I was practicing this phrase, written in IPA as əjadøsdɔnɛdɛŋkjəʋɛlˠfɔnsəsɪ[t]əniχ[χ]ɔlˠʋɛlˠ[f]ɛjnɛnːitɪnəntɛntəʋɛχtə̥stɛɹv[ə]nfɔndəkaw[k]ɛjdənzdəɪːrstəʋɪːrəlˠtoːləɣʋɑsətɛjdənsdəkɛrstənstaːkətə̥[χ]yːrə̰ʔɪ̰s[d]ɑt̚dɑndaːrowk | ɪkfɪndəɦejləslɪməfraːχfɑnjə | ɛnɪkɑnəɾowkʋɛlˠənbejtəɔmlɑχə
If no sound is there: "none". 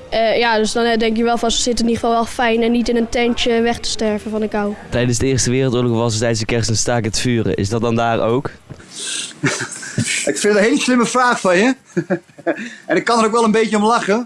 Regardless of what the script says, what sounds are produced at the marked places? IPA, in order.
t, f, f, ə, t, f, d

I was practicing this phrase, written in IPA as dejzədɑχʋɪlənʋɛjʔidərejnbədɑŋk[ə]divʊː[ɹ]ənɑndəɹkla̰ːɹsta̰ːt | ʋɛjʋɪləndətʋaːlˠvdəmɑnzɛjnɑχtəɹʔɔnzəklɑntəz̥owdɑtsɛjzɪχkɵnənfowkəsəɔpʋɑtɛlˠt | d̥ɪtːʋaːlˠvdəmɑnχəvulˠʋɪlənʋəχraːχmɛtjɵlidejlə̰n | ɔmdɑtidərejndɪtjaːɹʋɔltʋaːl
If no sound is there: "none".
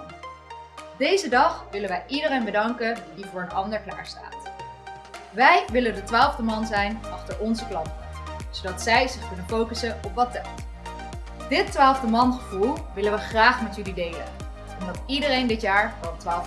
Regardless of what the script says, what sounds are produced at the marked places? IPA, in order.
ə, ɹ

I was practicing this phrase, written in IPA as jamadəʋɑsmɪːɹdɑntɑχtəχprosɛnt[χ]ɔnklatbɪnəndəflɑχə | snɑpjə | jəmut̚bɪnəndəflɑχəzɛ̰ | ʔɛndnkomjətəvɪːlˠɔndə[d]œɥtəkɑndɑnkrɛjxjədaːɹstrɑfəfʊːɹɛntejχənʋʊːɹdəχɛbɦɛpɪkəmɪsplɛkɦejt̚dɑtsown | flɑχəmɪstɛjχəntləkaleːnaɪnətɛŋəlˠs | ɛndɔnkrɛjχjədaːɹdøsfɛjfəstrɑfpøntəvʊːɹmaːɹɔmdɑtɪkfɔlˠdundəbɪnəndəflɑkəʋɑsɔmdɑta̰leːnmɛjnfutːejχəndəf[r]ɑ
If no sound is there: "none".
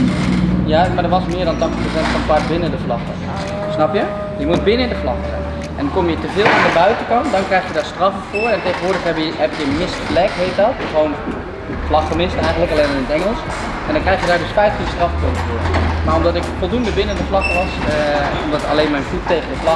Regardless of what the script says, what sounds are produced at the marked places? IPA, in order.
f, b, l

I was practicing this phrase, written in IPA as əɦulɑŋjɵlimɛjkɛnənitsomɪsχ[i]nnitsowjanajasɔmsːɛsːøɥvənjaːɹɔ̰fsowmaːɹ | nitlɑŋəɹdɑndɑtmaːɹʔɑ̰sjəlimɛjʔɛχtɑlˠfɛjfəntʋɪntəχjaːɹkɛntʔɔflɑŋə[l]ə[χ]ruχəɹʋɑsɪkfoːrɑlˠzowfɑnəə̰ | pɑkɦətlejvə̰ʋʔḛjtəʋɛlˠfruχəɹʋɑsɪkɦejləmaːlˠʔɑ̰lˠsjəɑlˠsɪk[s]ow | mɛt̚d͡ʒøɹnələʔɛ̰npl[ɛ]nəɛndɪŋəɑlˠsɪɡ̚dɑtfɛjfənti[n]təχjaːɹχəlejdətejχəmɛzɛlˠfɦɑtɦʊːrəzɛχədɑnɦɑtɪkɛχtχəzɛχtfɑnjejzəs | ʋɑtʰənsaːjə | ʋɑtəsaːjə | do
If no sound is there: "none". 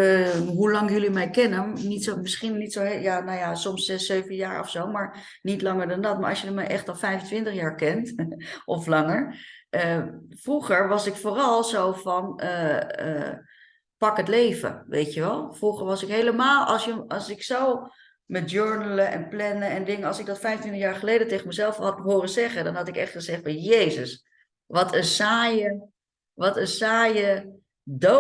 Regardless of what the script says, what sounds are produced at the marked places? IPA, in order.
i, ɹ, f, s, ɛ, n

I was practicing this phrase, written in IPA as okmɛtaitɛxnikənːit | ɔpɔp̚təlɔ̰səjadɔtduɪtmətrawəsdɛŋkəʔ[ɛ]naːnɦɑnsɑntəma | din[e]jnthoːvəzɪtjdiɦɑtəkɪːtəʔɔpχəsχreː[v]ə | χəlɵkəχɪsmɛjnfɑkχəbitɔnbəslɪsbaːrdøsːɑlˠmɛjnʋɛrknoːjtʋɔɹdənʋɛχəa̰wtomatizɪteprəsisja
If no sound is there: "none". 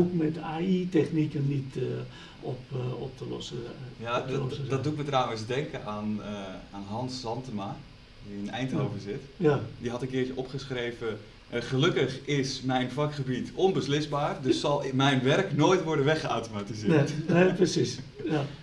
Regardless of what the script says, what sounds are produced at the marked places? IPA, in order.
a, ɛ, v

